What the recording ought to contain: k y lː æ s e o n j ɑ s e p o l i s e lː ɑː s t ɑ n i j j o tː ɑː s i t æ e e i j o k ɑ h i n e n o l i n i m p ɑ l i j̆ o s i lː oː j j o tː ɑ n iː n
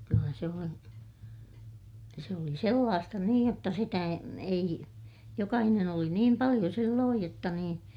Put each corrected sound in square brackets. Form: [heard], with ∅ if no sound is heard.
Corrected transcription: k y lː æ s e o n j ɑ s e [∅] o l i s e lː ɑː s t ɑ n [iː] j j o tː [ɑ] s i t æ e e i j o k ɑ h i n e n o l i n [iː] m p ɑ l i j̆ o s i lː oː j j o tː ɑ n iː n